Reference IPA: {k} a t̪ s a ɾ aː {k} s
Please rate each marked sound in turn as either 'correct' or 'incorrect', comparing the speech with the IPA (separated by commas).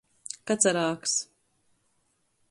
correct, correct